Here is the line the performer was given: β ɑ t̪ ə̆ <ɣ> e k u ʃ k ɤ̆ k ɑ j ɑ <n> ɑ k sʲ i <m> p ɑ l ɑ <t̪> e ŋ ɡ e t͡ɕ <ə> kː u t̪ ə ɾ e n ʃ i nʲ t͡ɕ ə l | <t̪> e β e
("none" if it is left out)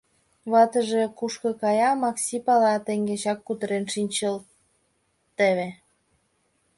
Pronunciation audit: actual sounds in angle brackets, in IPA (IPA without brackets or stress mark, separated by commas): ʒ, m, none, t̪, ɑ, t̪